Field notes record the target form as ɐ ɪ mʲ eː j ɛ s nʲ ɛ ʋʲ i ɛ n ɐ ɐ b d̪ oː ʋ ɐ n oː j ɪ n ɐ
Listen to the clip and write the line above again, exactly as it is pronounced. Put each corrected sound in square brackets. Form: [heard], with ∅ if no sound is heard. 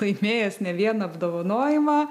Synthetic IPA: ɐ ɪ mʲ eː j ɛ s nʲ ɛ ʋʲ i ɛ n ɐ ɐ b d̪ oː ʋ ɐ n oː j ɪ [m] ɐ